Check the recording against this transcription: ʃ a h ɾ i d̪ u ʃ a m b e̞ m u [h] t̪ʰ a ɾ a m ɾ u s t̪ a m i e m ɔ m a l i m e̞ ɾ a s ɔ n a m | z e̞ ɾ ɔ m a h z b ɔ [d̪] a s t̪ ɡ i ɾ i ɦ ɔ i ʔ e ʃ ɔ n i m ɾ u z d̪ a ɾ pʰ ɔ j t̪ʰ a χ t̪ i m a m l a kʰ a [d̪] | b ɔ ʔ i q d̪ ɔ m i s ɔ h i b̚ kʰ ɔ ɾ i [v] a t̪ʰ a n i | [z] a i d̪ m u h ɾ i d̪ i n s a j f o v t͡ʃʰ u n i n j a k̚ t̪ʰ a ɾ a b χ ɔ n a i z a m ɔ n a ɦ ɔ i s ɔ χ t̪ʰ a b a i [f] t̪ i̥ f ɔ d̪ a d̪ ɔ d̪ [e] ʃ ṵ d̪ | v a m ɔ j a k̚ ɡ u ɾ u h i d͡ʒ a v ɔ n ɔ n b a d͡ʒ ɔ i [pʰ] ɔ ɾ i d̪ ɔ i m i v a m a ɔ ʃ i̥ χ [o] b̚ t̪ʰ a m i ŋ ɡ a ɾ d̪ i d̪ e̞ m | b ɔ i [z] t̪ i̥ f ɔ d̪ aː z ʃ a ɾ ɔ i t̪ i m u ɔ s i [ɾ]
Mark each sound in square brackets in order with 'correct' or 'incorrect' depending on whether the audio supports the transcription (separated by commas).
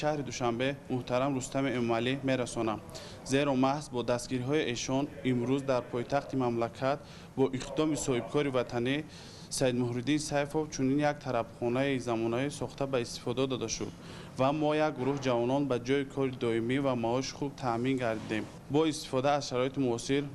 correct, correct, incorrect, correct, incorrect, incorrect, incorrect, incorrect, incorrect, incorrect, correct